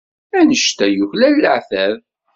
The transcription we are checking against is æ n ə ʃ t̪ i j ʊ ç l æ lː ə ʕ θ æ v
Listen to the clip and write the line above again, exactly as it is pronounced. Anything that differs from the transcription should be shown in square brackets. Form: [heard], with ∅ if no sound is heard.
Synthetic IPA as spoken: æ n ə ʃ t̪ [æ] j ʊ ç l æ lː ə ʕ θ æ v